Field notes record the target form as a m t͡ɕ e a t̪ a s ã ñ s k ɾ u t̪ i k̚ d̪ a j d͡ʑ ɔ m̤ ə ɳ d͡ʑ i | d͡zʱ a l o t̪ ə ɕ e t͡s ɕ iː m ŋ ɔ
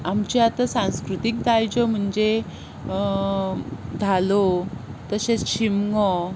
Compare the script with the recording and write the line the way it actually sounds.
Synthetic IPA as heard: a m t͡ɕ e a t̪ a s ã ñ s k ɾ u t̪ i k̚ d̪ a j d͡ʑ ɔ m̤ ə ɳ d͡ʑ e | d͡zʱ a l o t̪ ə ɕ e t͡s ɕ i m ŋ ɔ